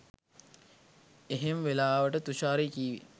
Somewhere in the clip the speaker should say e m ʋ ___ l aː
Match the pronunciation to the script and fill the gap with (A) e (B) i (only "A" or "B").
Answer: A